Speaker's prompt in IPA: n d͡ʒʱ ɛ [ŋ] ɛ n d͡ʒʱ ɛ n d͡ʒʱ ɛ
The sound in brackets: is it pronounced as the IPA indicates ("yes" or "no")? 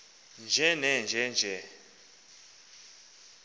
no